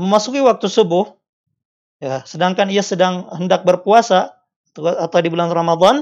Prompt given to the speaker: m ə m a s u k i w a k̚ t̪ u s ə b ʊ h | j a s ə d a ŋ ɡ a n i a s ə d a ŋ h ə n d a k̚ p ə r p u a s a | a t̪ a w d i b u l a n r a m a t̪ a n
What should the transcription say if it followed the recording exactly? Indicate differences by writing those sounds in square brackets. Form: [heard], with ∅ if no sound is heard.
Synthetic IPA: m ə m a s u k i w a k̚ t̪ u s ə b ʊ h | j a s ə d a ŋ [k] a n i a s ə d a ŋ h ə n d a k̚ [b] ə r p u a s a | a t̪ a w d i b u l a n r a m a [d̪] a n